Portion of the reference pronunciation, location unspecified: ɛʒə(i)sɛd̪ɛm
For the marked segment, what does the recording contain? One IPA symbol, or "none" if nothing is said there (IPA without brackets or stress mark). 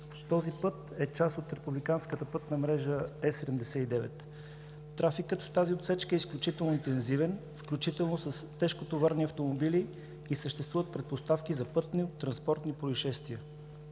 ɛ